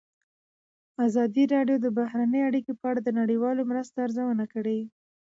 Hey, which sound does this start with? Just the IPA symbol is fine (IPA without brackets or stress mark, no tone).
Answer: a